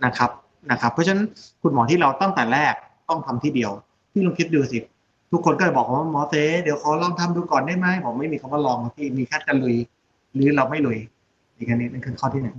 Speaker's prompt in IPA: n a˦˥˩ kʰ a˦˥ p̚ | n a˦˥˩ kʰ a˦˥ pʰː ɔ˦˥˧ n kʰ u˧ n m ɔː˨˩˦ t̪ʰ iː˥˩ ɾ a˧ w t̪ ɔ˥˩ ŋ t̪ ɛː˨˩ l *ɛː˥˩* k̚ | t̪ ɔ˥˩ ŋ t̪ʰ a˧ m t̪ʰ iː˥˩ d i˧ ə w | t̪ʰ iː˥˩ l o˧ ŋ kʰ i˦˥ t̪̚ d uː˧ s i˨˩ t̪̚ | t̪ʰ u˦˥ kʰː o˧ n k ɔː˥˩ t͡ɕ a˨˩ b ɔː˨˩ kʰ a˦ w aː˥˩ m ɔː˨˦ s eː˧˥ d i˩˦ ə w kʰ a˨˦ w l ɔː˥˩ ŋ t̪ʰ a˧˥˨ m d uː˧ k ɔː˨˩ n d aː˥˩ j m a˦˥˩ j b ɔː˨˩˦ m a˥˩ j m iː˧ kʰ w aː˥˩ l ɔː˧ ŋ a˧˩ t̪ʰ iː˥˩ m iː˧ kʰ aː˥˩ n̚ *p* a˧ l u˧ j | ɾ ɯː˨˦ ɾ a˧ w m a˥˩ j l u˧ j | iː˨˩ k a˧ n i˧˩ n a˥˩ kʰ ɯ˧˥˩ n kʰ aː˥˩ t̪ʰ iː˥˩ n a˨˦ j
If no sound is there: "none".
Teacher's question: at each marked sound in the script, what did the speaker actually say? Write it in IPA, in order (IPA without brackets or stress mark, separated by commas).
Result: ɛː˥˩, k